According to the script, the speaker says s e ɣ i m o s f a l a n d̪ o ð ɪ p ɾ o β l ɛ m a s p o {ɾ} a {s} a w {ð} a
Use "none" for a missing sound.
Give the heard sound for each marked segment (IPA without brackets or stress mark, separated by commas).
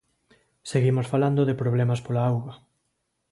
l, none, ɣ